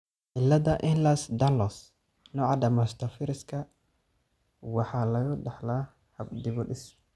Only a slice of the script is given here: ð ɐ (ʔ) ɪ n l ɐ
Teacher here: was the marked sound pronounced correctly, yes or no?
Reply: yes